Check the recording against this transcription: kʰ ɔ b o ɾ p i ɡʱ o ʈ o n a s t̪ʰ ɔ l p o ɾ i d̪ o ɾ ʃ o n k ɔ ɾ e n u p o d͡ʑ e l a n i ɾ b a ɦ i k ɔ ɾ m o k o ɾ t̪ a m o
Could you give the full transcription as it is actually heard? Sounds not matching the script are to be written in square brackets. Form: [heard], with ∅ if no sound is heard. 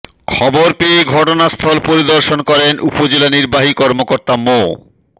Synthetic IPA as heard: kʰ ɔ b o ɾ p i ɡʱ [ɔ] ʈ o n a s t̪ʰ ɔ l p o ɾ i d̪ o ɾ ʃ o n k ɔ ɾ e n u p o d͡ʑ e l a n i ɾ b a ɦ i k ɔ ɾ m o k o ɾ t̪ a m o